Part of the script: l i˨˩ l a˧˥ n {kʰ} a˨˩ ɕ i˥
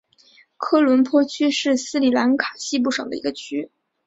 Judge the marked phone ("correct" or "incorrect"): correct